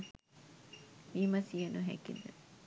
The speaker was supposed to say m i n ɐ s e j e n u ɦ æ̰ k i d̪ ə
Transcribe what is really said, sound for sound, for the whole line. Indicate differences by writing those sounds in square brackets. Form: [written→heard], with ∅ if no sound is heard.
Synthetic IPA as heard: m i [n→m] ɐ s [e→i] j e n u ɦ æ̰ k i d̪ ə